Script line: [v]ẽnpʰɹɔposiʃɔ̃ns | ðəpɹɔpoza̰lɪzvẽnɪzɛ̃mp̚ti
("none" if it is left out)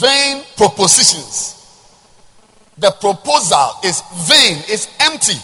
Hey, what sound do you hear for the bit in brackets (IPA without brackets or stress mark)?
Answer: v